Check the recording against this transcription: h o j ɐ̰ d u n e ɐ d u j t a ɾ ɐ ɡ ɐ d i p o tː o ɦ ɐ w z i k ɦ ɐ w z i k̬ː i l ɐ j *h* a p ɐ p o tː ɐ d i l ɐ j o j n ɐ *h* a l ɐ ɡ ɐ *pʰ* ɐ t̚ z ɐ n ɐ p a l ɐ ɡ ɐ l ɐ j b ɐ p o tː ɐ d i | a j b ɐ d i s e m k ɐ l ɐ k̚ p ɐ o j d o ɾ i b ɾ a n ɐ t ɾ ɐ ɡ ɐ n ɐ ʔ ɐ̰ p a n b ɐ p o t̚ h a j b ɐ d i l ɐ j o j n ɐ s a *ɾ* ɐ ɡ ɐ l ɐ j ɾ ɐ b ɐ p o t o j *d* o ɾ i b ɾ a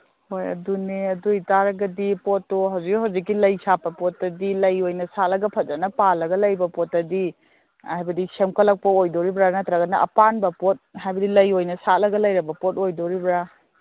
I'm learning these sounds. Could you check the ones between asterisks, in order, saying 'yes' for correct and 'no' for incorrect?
no, no, yes, no, yes

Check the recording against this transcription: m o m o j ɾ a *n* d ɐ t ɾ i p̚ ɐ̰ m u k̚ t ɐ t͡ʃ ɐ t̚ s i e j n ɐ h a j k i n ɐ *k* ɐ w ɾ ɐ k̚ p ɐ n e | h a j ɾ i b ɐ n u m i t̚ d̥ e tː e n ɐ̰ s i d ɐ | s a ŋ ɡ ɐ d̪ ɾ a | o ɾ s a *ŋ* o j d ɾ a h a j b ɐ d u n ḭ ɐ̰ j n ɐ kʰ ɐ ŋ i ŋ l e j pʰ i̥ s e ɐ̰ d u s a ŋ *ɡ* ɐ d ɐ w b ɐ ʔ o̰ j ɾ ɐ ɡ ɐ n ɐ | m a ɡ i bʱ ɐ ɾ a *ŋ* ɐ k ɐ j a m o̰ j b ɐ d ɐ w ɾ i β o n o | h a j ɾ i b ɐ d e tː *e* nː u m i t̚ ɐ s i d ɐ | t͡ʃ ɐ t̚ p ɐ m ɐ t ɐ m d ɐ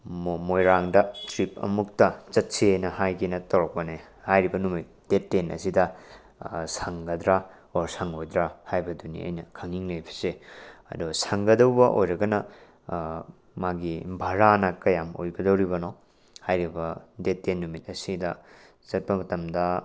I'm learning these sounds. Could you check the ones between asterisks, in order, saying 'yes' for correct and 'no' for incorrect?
no, no, yes, yes, no, yes

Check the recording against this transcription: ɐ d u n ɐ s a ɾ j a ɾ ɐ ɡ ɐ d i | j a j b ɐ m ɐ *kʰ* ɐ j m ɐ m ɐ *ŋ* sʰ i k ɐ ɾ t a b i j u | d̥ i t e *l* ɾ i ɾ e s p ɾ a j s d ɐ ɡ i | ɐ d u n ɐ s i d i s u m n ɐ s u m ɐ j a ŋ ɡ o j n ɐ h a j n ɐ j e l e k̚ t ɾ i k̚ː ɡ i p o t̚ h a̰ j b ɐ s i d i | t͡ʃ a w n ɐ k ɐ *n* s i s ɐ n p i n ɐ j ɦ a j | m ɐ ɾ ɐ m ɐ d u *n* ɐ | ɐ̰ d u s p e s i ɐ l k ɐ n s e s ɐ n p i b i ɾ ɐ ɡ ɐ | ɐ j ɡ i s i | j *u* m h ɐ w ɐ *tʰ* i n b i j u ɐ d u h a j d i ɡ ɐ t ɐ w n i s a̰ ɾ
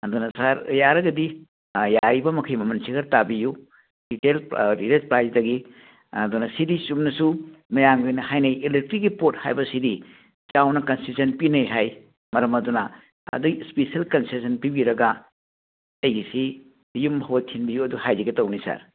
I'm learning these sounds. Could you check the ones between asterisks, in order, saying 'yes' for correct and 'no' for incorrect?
yes, no, yes, yes, yes, yes, yes

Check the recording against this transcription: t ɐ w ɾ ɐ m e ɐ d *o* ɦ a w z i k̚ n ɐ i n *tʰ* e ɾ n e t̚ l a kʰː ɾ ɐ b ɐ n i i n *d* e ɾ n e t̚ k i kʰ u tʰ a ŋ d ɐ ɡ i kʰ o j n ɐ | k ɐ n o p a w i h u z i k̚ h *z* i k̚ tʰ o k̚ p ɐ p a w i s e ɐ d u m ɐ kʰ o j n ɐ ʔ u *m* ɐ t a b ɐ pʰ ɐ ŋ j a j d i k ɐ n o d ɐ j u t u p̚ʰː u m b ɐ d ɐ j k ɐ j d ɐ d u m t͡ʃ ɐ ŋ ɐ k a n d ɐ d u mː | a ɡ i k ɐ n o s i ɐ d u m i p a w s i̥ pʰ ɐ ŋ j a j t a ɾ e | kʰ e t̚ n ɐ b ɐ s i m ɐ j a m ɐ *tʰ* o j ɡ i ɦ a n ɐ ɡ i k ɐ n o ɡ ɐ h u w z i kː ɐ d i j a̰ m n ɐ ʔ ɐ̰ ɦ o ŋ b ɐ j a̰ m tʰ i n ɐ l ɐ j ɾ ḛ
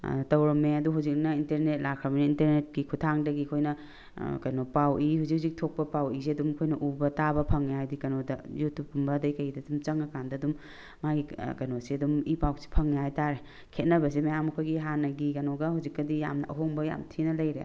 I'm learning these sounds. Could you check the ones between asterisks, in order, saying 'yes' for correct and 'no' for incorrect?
no, no, no, yes, no, no

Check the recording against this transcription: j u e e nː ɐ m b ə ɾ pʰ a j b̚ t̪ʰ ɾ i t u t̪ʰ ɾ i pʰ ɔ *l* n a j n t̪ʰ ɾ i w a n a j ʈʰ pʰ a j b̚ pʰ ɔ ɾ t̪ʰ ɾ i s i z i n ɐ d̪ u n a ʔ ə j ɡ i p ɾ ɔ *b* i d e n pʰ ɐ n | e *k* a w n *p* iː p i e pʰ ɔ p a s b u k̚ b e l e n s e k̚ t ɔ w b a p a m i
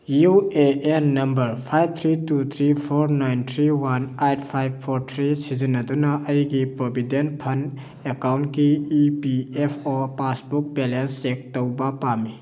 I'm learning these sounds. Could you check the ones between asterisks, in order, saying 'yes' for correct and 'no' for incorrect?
no, yes, yes, no

